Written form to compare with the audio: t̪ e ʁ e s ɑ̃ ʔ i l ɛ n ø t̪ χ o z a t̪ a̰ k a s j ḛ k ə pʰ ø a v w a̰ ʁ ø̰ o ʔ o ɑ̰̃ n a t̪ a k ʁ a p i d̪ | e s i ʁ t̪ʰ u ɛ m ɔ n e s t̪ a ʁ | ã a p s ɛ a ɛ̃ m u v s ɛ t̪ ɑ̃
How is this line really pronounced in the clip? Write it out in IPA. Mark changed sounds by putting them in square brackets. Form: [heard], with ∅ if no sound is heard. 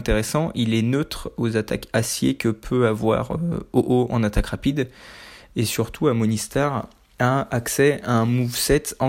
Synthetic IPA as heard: t̪ e ʁ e s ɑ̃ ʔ i l ɛ n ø t̪ χ o z a t̪ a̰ k a s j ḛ k ə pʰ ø a v w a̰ ʁ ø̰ o ʔ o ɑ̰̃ n a t̪ a k ʁ a p i d̪ | e s [y] ʁ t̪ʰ u [a] m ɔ n [i] s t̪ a ʁ | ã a [k] s ɛ a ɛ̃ m u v s ɛ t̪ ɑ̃